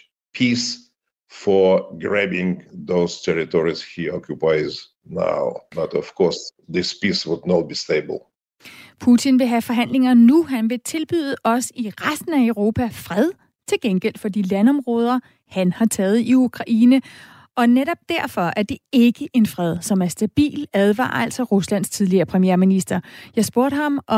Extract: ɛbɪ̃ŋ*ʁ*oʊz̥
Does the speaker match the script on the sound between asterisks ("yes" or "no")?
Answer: no